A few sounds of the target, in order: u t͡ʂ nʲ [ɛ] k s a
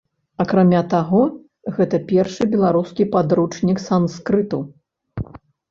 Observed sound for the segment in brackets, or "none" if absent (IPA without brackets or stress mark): i